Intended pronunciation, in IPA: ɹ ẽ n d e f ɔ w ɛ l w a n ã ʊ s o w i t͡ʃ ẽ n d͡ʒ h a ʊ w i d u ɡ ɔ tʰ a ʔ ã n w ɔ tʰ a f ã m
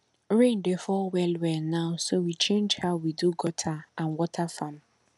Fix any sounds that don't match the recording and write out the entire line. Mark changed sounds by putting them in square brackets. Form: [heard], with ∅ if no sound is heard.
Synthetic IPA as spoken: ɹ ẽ n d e f ɔ w ɛ l w [ɛ] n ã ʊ s o w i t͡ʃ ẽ n d͡ʒ h a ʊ w i d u ɡ ɔ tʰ a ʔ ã n w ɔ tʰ a f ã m